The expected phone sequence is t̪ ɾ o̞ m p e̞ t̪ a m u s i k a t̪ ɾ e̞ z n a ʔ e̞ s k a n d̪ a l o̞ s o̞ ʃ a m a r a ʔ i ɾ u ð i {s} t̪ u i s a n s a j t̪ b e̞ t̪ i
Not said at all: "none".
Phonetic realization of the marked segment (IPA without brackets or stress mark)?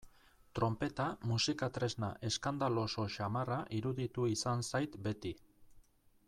none